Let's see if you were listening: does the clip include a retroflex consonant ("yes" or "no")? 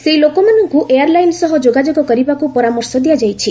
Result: no